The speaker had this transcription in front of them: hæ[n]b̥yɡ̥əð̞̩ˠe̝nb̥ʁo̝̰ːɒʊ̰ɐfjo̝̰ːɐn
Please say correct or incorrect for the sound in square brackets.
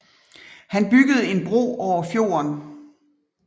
correct